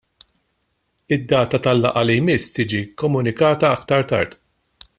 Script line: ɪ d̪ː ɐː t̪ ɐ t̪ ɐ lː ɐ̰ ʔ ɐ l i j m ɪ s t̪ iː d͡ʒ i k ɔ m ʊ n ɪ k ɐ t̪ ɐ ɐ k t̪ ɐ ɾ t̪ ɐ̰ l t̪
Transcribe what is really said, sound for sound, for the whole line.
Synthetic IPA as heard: ɪ d̪ː ɐː t̪ ɐ t̪ ɐ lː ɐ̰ ʔ ɐ l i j m ɪ s t̪ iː d͡ʒ i k ɔ m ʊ n ɪ k ɐː t̪ ɐ ɐ k t̪ ɐ ɾ t̪ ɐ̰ ɾ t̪